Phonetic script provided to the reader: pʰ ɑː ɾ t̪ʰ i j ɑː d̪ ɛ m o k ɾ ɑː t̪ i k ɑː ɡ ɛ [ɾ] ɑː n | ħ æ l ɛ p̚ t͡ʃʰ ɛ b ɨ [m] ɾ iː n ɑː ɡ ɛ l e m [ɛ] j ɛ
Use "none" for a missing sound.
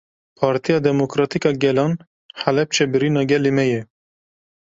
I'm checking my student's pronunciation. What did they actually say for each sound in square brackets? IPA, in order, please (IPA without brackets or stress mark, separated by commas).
l, none, ɛ